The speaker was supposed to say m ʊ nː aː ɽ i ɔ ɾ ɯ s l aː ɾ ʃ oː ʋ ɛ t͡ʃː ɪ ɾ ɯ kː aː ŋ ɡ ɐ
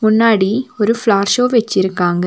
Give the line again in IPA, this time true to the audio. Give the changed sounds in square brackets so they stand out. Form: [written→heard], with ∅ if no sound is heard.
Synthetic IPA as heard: m ʊ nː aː ɽ i ɔ ɾ ɯ [s→f] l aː ɾ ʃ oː ʋ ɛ t͡ʃː ɪ ɾ ɯ kː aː ŋ ɡ ɐ